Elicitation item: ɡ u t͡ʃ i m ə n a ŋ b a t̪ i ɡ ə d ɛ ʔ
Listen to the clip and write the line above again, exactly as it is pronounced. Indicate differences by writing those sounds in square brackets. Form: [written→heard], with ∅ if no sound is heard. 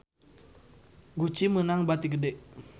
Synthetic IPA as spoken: ɡ u t͡ʃ i m ə n a ŋ b a t̪ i ɡ ə d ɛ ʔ